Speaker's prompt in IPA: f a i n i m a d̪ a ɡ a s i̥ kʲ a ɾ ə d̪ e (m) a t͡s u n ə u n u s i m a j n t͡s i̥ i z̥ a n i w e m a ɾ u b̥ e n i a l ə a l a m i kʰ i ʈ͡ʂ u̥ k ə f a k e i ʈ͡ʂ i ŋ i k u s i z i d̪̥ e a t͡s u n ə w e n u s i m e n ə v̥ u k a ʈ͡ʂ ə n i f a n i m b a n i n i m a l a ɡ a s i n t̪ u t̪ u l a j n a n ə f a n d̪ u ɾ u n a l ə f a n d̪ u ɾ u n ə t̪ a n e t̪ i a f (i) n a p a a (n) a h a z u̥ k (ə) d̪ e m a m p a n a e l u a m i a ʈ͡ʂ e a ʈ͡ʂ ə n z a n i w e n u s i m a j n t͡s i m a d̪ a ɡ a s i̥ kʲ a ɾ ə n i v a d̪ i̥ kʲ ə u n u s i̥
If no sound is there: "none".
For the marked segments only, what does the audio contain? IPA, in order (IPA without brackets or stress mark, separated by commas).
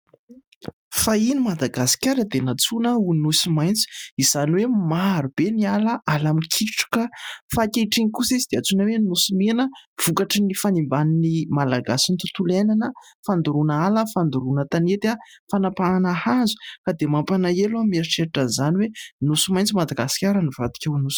n, a, n, a